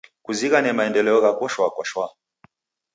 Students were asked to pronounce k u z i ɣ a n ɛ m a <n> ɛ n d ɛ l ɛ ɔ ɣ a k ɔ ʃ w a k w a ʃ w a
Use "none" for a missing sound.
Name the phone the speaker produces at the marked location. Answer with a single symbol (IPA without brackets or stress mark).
none